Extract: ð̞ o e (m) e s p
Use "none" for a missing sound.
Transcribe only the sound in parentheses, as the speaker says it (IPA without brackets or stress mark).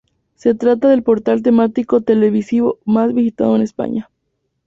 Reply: n